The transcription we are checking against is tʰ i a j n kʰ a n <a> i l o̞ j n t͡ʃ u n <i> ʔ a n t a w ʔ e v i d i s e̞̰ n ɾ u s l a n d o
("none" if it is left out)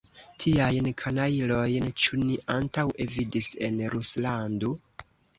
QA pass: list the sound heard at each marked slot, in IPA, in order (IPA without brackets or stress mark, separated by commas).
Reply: a, i